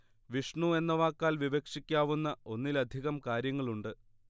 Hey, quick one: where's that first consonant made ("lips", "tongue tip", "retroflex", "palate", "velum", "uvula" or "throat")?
lips